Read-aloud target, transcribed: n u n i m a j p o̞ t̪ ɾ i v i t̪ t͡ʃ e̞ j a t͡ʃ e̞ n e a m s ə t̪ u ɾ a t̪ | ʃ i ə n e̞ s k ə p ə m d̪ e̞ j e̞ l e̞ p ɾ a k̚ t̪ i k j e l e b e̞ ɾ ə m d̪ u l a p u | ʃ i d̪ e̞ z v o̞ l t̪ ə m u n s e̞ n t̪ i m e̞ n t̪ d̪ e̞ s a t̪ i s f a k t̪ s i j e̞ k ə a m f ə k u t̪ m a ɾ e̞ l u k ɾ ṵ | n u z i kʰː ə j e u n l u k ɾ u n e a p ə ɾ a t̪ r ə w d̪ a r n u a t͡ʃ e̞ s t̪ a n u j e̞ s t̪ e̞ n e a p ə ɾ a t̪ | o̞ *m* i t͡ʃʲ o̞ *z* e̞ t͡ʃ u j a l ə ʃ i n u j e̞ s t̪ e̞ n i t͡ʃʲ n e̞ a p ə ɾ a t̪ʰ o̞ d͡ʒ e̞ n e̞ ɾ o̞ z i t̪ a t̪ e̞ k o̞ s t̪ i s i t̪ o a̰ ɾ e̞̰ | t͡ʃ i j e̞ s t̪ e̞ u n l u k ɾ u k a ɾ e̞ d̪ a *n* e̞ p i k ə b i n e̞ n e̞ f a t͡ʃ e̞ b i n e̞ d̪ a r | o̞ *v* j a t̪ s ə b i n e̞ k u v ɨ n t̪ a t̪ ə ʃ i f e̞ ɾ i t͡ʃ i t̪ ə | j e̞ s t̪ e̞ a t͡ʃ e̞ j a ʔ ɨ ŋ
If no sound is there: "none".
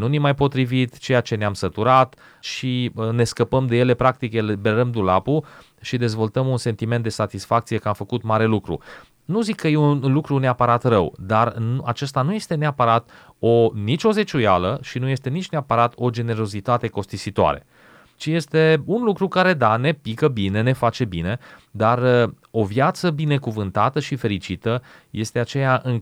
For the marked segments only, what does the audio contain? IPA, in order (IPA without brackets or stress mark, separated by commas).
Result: n, z, n, v